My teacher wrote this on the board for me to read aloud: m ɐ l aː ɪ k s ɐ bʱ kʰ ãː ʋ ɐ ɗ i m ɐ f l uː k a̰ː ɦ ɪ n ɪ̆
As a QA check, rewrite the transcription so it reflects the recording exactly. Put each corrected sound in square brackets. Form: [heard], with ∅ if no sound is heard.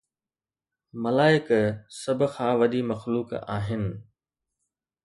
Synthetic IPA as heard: m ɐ l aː ɪ k s ɐ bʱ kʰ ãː ʋ ɐ ɗ i m ɐ [x] l uː k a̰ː ɦ ɪ n ɪ̆